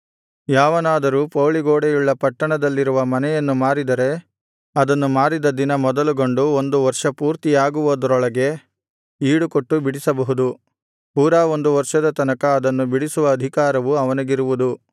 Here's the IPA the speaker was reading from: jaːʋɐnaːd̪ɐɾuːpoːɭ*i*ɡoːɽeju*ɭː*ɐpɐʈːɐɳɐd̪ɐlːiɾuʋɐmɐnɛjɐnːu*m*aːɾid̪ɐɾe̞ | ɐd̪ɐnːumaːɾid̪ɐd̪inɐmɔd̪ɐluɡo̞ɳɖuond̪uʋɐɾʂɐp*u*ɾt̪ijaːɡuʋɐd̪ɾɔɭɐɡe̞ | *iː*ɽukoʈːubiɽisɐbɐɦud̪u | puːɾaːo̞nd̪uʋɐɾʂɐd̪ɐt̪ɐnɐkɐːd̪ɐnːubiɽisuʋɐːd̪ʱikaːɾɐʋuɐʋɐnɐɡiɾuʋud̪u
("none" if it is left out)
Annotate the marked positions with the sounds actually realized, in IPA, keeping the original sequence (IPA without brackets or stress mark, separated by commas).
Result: i, ɭː, m, uː, iː